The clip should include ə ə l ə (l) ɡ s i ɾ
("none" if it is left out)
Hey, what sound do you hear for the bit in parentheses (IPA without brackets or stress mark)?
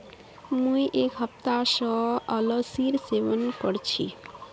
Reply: none